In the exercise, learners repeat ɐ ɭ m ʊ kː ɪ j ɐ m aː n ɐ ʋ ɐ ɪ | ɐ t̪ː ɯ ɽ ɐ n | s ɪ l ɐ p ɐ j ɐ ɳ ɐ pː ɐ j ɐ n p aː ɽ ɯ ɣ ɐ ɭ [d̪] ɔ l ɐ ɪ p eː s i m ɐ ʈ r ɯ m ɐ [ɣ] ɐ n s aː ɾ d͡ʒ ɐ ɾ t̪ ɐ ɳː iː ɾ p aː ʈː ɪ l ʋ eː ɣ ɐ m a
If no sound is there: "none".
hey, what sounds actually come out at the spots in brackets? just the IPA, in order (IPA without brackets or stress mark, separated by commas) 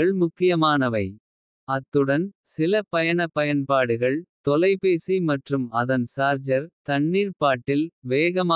t̪, ð